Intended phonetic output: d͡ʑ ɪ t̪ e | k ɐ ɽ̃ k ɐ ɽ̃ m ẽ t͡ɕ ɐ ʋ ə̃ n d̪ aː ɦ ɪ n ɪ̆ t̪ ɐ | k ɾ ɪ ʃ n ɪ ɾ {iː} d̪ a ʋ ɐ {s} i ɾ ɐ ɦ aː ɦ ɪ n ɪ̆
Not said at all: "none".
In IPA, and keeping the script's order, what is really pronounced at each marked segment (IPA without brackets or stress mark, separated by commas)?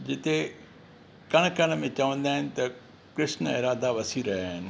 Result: aː, s